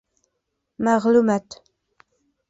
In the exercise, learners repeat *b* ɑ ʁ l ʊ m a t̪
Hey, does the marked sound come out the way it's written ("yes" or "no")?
no